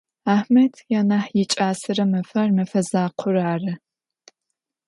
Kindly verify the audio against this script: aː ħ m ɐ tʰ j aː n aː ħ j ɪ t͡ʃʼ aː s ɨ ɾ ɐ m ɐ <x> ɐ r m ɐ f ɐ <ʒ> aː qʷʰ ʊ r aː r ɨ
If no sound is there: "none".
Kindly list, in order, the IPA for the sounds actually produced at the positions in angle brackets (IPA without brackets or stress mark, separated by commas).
f, z